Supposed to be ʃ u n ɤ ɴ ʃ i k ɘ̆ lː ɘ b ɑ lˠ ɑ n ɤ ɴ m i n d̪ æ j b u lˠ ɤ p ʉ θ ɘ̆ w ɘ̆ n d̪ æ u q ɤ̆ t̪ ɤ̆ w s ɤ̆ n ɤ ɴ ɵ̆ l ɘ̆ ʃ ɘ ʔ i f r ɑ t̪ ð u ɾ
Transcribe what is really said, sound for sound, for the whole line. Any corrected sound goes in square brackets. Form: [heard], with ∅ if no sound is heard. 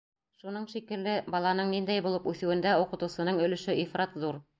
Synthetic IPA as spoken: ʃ u n ɤ ɴ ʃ i k ɘ̆ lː ɘ b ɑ lˠ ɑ n ɤ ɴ [n] i n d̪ æ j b u lˠ ɤ p ʉ θ ɘ̆ w ɘ̆ n d̪ æ u q ɤ̆ t̪ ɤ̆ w s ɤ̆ n ɤ ɴ ɵ̆ l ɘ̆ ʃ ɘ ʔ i f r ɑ t̪ ð u ɾ